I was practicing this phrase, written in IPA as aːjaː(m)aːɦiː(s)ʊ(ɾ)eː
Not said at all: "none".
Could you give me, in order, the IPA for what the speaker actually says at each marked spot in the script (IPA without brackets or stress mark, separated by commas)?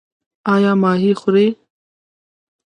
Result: m, x, ɾ